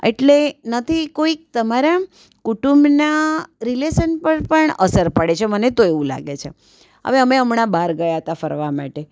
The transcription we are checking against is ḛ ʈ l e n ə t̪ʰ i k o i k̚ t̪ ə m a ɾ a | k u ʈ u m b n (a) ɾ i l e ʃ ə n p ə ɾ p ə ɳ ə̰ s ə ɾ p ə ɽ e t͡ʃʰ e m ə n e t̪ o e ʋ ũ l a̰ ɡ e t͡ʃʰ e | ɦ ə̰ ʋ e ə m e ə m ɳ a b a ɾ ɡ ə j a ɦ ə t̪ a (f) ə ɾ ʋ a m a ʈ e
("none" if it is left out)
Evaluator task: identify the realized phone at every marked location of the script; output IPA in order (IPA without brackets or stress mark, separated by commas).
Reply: a, f